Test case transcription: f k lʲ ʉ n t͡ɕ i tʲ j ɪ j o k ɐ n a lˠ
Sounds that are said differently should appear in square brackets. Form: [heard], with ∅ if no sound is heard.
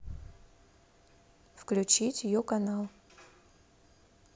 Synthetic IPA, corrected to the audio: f k lʲ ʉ [∅] t͡ɕ i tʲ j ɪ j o k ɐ n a lˠ